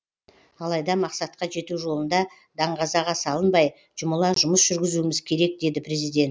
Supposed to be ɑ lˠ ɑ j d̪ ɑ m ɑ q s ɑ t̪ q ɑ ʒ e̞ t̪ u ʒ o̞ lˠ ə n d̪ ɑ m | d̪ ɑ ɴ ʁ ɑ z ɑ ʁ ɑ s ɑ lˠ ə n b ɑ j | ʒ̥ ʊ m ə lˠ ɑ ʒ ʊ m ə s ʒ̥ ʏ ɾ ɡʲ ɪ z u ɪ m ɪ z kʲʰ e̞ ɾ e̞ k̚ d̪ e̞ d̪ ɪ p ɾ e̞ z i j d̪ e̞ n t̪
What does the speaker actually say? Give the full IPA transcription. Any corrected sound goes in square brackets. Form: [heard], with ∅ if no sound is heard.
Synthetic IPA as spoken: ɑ lˠ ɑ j d̪ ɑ m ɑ q s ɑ t̪ q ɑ ʒ e̞ t̪ u ʒ o̞ lˠ ə n d̪ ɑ [∅] | d̪ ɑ ɴ ʁ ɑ z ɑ ʁ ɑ s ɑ lˠ ə n b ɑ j | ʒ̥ ʊ m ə lˠ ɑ ʒ ʊ m ə s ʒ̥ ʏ ɾ ɡʲ ɪ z u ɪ m ɪ z kʲʰ e̞ ɾ e̞ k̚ d̪ e̞ d̪ ɪ p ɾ e̞ z i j d̪ e̞ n t̪